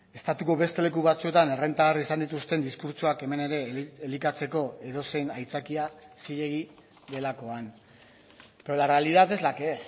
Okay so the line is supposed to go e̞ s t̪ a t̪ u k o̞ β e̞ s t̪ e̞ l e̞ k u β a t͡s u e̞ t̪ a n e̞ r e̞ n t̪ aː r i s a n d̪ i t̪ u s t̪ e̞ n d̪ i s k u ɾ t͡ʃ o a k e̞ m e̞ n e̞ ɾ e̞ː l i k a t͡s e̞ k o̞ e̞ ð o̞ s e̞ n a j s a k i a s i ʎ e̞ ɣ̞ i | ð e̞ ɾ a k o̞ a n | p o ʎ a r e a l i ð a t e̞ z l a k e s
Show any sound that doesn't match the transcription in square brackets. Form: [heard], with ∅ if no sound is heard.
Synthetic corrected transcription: e̞ s t̪ a t̪ u k o̞ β e̞ s t̪ e̞ l e̞ k u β a t͡s u e̞ t̪ a n e̞ r e̞ n t̪ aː r i s a n d̪ i t̪ u s t̪ e̞ n d̪ i s k u ɾ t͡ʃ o a k e̞ m e̞ n e̞ ɾ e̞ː l i k a t͡s e̞ k o̞ e̞ ð o̞ s e̞ n a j [t͡s] a k i a s i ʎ e̞ ɣ̞ i | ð e̞ [l] a k o̞ a n | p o [l] a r e a l i ð a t e̞ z l a k e s